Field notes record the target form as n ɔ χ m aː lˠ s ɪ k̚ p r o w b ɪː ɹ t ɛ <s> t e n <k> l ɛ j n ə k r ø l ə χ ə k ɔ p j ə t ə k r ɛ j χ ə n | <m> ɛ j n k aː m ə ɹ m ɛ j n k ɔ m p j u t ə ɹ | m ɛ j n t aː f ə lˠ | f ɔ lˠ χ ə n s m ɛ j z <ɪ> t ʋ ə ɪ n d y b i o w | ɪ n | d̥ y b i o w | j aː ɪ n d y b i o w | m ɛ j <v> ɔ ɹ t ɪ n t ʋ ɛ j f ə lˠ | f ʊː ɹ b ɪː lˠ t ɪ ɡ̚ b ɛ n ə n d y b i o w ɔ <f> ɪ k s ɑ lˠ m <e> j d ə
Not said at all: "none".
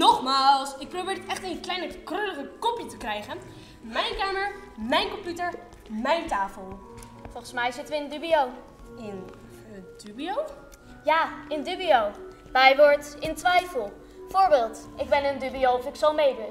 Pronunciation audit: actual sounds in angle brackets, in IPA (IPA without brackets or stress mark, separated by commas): χ, k, m, ɪ, ʋ, f, e